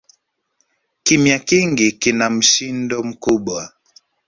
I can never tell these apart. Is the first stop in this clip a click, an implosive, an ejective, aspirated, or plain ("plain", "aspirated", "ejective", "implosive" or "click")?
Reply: plain